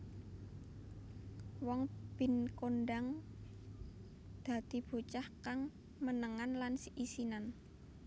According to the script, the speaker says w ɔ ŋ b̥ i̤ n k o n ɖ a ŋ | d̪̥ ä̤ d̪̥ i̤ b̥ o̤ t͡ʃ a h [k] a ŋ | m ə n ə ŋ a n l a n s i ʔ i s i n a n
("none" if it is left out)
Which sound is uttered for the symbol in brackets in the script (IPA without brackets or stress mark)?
k